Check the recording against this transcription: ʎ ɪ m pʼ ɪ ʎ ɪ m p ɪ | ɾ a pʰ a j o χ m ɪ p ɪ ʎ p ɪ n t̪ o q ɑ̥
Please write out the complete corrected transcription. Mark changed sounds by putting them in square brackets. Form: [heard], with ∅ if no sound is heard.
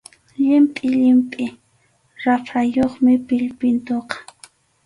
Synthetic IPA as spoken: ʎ ɪ m pʼ ɪ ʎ ɪ m [pʼ] ɪ | ɾ a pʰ a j o χ m ɪ p ɪ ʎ p ɪ n t̪ o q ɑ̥